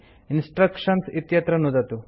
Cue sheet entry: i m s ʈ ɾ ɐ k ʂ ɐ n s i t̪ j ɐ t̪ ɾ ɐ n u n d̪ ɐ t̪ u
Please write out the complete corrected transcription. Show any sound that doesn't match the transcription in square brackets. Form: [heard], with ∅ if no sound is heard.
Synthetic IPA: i [n] s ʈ ɾ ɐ k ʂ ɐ n s i t̪ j ɐ t̪ ɾ ɐ n u [∅] d̪ ɐ t̪ u